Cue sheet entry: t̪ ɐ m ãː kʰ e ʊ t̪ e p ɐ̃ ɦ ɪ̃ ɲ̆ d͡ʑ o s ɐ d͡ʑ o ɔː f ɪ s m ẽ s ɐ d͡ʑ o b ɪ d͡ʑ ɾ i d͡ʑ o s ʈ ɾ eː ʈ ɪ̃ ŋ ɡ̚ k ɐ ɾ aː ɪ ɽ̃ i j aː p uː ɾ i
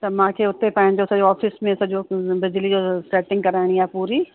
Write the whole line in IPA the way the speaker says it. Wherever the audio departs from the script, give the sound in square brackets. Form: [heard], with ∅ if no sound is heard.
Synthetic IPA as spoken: t̪ ɐ m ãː kʰ e ʊ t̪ e p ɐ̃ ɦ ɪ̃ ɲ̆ d͡ʑ o s ɐ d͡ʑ o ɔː f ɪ s m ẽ s ɐ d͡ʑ o b ɪ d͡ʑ [l] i d͡ʑ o s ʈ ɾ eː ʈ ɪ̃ ŋ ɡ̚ k ɐ ɾ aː ɪ ɽ̃ i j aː p uː ɾ i